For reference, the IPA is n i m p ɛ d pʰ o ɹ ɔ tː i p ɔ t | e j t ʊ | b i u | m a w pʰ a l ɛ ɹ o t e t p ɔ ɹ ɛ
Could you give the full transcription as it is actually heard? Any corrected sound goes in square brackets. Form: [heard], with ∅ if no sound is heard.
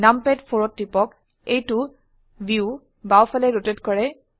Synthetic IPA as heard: n [a] m p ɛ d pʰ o ɹ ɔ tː i p ɔ [k] | e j t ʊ | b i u | [b] a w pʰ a l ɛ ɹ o t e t [k] ɔ ɹ ɛ